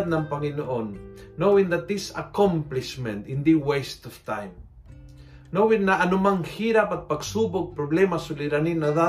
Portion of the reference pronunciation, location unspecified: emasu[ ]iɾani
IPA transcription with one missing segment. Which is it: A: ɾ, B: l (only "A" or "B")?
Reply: B